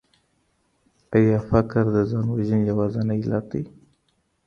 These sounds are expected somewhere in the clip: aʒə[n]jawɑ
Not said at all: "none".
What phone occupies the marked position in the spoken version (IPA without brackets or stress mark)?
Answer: n